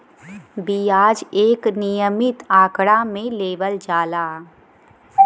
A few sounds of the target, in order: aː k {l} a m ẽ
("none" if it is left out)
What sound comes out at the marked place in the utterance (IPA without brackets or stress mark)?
ɽ